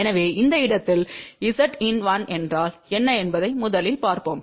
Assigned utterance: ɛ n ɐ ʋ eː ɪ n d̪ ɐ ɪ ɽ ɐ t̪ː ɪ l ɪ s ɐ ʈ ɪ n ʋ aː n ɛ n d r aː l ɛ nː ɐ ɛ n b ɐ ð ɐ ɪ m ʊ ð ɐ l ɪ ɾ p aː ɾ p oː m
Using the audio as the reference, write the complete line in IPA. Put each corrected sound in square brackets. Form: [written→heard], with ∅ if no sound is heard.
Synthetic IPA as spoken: ɛ n ɐ ʋ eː ɪ n d̪ ɐ ɪ ɽ ɐ t̪ː ɪ l ɪ s ɐ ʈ ɪ n ʋ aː n ɛ n d r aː l ɛ nː ɐ ɛ n b ɐ ð ɐ ɪ m ʊ ð ɐ l ɪ [ɾ→l] p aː ɾ p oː m